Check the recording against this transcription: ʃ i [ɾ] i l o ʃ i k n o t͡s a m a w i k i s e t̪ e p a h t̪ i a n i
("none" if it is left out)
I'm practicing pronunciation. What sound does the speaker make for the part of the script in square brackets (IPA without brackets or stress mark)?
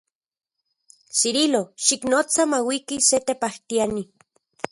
ɾ